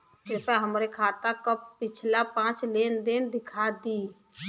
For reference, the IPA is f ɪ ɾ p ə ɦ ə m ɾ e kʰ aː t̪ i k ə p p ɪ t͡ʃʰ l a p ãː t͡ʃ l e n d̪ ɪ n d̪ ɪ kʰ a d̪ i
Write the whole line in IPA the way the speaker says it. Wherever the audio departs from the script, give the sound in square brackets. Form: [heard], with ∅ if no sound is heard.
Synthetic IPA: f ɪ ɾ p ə ɦ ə m ɾ e kʰ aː t̪ [a] k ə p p ɪ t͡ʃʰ l a p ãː t͡ʃ l e n d̪ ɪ n d̪ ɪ kʰ a d̪ i